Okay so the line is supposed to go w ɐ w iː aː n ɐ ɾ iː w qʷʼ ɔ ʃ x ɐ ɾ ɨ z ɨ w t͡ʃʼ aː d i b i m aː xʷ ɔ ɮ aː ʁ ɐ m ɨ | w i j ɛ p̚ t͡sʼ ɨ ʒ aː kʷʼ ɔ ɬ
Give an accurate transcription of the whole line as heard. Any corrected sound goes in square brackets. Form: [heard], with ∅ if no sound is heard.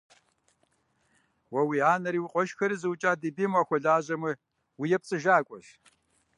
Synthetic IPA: w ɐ w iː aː n ɐ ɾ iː w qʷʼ ɔ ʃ x ɐ ɾ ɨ z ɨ w t͡ʃʼ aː d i b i m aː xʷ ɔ ɮ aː [ʑ] ɐ m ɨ | w i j ɛ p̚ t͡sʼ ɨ ʒ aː kʷʼ ɔ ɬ